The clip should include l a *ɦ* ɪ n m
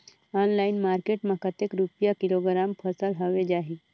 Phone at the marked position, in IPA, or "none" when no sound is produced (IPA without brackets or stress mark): none